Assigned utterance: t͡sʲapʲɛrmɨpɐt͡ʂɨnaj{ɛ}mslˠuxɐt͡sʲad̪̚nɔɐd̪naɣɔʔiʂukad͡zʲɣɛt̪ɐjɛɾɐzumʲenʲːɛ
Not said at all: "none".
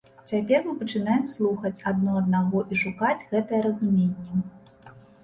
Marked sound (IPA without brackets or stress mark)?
ɛ